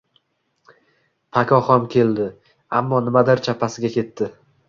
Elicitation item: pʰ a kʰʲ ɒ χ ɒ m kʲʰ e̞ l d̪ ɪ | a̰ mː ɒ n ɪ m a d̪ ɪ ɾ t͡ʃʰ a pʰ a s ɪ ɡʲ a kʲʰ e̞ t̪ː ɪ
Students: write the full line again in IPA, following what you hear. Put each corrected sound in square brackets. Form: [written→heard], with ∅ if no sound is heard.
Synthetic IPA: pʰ a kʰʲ ɒ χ ɒ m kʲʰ e̞ l d̪ ɪ | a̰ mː ɒ n ɪ m a d̪ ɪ ɾ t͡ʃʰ a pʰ a s ɪ ɡʲ a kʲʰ e̞ t̪ː ɪ